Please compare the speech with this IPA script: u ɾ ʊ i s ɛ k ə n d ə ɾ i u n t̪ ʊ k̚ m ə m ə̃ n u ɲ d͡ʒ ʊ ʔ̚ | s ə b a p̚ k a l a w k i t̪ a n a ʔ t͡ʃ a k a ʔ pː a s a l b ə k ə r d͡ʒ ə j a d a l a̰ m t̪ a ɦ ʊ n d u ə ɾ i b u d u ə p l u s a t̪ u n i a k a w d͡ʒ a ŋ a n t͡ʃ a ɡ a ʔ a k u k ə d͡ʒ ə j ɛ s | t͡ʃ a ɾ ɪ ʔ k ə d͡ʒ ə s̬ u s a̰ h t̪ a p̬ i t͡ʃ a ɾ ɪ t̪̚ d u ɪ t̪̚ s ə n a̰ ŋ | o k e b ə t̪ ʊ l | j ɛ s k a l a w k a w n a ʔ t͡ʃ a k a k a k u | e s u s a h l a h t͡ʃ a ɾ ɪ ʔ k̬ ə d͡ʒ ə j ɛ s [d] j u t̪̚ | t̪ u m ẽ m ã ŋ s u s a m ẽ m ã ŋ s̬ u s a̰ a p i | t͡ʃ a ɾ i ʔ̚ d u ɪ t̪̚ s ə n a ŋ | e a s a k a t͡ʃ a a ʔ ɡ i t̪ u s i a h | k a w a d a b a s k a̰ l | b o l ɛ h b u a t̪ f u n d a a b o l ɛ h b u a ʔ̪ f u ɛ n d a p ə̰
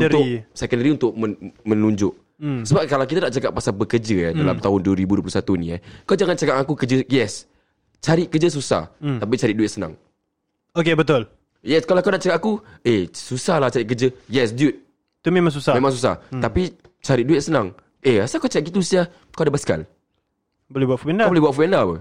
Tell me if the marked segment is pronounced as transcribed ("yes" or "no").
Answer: yes